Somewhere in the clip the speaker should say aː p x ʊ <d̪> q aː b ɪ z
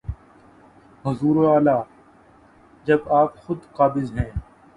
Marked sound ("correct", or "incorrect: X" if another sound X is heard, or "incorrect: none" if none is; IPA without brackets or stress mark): correct